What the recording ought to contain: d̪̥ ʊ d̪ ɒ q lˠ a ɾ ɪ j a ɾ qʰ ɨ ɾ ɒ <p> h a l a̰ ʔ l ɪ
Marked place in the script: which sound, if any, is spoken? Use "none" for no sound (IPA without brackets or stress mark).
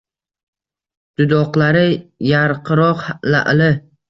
q